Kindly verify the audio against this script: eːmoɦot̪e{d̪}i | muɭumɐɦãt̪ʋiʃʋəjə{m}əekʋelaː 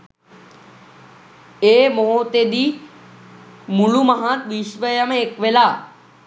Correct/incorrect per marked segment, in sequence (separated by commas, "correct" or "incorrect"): correct, correct